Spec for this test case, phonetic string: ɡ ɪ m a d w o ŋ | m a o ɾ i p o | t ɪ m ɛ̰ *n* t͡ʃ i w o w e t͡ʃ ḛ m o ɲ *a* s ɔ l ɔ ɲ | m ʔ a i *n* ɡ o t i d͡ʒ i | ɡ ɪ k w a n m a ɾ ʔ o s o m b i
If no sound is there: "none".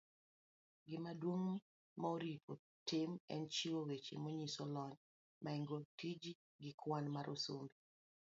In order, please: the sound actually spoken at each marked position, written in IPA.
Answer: n, i, ŋ

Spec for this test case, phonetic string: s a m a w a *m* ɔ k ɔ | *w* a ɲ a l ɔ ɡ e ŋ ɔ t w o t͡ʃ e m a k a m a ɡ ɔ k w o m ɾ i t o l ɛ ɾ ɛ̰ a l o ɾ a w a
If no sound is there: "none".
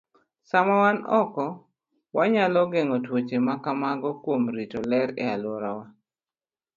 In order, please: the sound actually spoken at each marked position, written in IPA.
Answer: n, w

